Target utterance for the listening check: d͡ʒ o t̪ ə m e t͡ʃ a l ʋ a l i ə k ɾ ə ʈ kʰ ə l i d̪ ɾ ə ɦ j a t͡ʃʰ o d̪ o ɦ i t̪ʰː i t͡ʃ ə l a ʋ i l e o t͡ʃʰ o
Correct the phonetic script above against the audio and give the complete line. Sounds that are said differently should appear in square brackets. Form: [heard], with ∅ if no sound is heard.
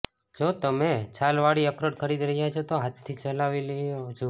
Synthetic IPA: d͡ʒ o t̪ ə m e t͡ʃ a l ʋ a [ɽ] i ə k ɾ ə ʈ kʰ ə [ɾ] i d̪ ɾ ə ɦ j a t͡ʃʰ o [t̪] o ɦ [a] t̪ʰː i t͡ʃ ə l a ʋ i l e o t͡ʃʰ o